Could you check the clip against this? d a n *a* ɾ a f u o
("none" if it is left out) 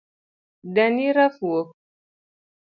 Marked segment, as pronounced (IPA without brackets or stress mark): i